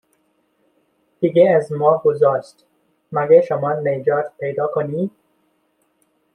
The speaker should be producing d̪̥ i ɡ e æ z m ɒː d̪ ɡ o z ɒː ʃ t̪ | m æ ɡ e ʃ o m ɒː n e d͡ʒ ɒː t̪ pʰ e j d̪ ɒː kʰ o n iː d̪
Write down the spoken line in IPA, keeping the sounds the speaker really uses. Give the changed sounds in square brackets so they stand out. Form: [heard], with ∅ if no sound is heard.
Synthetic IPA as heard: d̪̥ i ɡ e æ z m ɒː [∅] ɡ o z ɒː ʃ t̪ | m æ ɡ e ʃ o m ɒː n e d͡ʒ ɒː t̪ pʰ e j d̪ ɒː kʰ o n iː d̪